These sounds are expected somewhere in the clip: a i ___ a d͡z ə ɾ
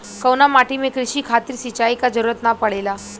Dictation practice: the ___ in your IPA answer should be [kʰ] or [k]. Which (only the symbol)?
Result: k